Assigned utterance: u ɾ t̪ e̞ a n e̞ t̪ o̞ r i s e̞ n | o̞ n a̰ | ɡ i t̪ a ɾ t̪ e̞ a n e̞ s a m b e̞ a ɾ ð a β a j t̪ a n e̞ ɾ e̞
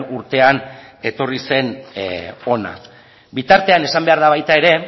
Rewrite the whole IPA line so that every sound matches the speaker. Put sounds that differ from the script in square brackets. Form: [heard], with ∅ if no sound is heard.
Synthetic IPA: u ɾ t̪ e̞ a n e̞ t̪ o̞ r i s e̞ n | o̞ n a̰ | [b] i t̪ a ɾ t̪ e̞ a n e̞ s a m b e̞ a ɾ ð a β a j t̪ a [∅] e̞ ɾ e̞

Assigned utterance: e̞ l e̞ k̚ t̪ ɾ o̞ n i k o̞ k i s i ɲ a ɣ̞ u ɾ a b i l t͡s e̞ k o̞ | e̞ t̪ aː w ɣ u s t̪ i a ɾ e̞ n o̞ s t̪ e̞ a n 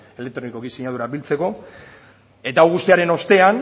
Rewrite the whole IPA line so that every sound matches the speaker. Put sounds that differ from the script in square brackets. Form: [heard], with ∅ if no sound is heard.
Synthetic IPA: e̞ l e̞ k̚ t̪ ɾ o̞ n i k o̞ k i s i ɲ a [ð̞] u ɾ a b i l t͡s e̞ k o̞ | e̞ t̪ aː w ɣ u s t̪ i a ɾ e̞ n o̞ s t̪ e̞ a n

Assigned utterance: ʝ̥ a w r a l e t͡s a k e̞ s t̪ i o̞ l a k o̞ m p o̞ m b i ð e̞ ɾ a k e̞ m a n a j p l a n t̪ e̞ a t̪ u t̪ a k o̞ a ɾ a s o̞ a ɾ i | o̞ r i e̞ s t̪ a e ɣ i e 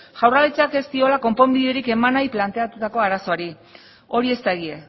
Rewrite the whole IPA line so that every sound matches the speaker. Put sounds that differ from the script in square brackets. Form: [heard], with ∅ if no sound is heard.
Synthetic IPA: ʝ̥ a w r a l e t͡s a k e̞ s t̪ i o̞ l a k o̞ m p o̞ m b i ð e̞ ɾ [i] k e̞ m a n a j p l a n t̪ e̞ a t̪ u t̪ a k o̞ a ɾ a s o̞ a ɾ i | o̞ [ɾ] i e̞ s t̪ a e ɣ i e

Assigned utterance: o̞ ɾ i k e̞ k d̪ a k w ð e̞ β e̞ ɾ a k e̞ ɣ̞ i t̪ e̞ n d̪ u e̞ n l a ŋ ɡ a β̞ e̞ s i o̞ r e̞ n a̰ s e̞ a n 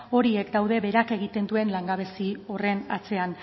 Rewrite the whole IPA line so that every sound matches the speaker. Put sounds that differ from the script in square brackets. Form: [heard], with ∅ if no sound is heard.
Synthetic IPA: o̞ ɾ i [∅] e̞ k d̪ a [∅] w ð e̞ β e̞ ɾ a k e̞ ɣ̞ i t̪ e̞ n d̪ u e̞ n l a ŋ ɡ a β̞ e̞ s i o̞ r e̞ n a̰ [t͡s] e̞ a n

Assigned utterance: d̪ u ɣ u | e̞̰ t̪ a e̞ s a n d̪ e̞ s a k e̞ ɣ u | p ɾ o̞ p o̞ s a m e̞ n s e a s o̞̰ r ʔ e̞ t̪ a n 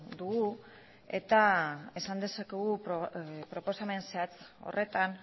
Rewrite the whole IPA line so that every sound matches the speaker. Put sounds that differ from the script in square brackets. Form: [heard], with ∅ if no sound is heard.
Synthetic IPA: d̪ u ɣ u | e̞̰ t̪ a e̞ s a n d̪ e̞ s a k e̞ ɣ u | p ɾ o̞ p o̞ s a m e̞ n s e a [t͡s] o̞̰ r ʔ e̞ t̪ a n

